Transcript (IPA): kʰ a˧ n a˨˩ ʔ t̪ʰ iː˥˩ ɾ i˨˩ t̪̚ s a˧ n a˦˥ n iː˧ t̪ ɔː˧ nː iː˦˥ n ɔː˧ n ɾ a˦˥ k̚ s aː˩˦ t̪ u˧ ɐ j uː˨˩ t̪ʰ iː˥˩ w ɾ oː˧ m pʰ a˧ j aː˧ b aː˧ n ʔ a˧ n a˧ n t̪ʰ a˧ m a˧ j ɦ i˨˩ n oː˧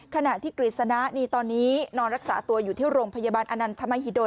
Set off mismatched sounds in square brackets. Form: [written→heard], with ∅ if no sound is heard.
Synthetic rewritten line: kʰ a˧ n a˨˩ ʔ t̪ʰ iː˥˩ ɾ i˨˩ t̪̚ s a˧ n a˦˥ n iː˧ t̪ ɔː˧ nː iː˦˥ n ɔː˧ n ɾ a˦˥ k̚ s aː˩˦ t̪ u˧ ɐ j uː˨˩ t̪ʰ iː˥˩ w ɾ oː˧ m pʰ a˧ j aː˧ b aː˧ n ʔ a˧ n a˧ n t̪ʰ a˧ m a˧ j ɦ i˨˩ [n→d] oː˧